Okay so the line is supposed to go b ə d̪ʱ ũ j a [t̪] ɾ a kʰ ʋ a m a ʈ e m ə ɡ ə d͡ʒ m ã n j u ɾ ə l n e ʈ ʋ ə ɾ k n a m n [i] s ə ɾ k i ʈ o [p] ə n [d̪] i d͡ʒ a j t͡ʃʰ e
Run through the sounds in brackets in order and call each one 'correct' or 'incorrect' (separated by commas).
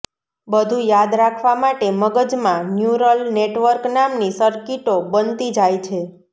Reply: incorrect, correct, incorrect, incorrect